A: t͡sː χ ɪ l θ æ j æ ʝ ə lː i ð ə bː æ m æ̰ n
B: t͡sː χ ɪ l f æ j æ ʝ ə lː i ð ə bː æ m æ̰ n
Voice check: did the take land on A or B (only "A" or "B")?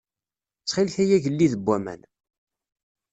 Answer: A